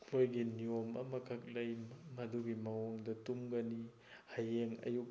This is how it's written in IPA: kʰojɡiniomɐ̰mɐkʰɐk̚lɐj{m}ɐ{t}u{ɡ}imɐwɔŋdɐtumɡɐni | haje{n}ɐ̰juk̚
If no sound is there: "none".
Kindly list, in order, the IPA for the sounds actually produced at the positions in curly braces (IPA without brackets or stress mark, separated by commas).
m, d, ɡ, ŋ